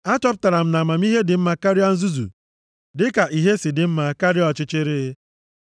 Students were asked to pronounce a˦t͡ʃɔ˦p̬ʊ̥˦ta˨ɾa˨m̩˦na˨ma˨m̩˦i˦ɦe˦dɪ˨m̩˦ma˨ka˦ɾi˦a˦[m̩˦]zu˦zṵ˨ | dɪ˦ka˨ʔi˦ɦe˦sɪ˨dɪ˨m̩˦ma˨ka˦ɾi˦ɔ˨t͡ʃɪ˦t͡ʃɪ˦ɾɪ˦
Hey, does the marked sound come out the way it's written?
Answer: no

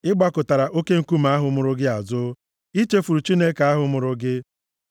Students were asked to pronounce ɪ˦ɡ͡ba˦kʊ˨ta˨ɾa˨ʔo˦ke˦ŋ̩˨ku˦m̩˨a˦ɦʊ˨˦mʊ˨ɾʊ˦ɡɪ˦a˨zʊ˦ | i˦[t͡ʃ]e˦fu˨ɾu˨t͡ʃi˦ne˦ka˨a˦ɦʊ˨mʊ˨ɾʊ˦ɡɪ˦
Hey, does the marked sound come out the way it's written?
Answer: yes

